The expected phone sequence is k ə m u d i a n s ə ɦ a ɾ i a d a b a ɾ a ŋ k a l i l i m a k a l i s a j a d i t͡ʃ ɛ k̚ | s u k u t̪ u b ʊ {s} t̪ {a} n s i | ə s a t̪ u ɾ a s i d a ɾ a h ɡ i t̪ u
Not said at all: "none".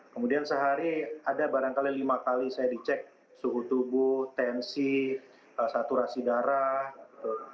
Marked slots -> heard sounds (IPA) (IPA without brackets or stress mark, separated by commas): h, ɛ